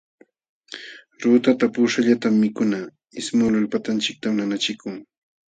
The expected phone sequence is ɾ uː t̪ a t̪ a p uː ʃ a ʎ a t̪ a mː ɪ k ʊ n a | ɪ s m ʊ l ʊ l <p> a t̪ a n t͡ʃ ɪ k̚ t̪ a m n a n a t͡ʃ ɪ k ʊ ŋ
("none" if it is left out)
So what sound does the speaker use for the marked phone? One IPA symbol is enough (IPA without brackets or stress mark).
p